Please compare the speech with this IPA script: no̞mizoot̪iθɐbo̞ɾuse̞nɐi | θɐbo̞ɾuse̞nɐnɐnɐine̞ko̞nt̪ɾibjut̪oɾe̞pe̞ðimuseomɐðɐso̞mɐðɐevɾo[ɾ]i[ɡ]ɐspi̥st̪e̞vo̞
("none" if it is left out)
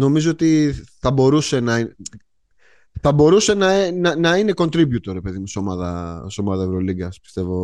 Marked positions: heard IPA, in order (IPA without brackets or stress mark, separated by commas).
l, ɡ